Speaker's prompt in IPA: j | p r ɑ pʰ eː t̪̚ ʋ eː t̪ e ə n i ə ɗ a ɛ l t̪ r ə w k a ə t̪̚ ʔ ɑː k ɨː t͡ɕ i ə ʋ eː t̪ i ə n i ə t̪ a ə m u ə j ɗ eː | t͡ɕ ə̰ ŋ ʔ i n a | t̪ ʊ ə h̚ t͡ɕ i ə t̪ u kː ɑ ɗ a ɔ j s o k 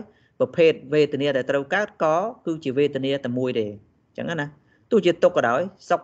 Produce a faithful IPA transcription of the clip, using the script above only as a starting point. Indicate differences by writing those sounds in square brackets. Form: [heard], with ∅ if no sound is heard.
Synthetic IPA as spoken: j | p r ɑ pʰ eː t̪̚ ʋ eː t̪ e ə n i ə ɗ a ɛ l t̪ r ə w k a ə t̪̚ [k] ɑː k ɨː t͡ɕ i ə ʋ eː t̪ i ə n i ə t̪ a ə m u ə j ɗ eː | t͡ɕ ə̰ ŋ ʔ [a] n a | t̪ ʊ ə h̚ t͡ɕ i ə t̪ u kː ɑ ɗ a ɔ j s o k